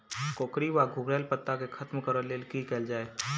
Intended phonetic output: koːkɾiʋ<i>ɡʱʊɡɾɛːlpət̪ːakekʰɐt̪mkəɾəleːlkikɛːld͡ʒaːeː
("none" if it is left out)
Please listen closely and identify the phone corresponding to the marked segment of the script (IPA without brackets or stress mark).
a